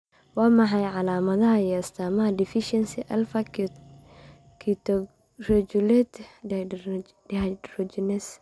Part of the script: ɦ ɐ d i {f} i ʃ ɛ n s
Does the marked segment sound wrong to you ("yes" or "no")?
no